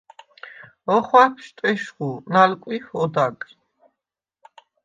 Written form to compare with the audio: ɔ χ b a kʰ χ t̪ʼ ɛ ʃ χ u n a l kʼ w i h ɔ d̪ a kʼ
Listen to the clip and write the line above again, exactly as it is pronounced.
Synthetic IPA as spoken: ɔ χ w a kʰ ʃ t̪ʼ ɛ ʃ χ u n a l kʼ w i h ɔ d̪ a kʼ